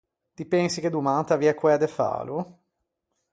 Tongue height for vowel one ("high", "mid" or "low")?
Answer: high